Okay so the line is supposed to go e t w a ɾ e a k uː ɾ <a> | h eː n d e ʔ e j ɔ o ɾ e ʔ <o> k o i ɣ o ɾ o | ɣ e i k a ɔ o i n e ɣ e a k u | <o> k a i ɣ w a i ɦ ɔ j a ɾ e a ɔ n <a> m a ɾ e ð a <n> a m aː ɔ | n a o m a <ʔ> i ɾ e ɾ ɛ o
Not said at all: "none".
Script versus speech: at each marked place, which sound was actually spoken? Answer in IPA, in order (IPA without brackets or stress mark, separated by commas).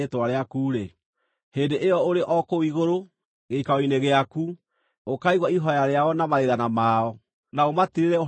e, ɔ, o, a, n, t